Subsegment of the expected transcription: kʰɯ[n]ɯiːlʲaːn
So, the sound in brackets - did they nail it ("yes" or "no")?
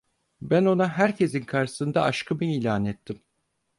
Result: no